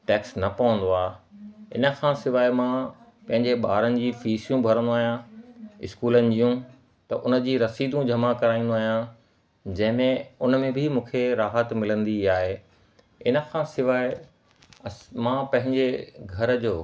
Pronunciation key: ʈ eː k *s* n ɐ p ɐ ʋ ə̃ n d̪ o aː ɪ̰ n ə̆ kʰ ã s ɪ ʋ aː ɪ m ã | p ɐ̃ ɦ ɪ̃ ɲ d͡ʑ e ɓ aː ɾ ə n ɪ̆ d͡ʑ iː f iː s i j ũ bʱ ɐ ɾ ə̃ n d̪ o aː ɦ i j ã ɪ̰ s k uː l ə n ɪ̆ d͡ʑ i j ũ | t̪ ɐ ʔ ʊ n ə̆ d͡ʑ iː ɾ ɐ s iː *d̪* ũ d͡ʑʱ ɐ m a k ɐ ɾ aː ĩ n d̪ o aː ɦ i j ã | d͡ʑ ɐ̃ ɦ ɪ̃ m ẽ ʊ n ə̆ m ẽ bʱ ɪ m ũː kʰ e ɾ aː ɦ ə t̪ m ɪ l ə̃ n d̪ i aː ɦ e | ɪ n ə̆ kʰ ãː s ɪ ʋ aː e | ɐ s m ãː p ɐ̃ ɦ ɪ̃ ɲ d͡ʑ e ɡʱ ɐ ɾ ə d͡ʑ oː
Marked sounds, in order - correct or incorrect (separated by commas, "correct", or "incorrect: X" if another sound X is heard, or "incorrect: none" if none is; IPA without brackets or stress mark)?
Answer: correct, correct